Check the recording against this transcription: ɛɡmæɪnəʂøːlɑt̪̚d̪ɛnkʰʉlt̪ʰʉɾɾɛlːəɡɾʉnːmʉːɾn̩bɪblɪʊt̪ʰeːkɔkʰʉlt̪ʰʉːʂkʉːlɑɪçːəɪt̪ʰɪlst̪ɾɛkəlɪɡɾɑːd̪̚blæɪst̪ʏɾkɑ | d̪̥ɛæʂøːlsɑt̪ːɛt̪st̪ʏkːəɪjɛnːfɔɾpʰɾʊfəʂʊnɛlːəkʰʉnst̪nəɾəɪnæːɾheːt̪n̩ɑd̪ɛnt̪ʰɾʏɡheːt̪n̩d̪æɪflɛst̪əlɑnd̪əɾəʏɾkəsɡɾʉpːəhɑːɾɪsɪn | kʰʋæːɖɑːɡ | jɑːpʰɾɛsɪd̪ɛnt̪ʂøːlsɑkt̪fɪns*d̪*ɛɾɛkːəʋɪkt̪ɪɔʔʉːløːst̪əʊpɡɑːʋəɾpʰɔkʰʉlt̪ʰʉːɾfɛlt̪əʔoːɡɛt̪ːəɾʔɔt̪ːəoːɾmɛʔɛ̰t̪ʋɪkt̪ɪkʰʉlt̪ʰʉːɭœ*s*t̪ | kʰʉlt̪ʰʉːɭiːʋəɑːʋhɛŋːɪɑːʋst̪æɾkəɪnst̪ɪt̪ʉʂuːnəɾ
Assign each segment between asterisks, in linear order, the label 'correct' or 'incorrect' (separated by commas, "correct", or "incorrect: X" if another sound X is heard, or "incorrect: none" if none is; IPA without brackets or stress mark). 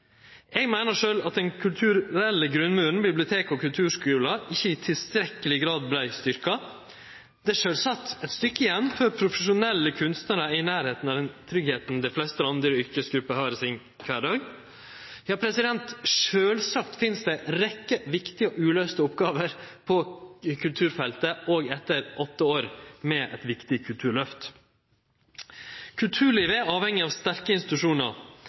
correct, incorrect: f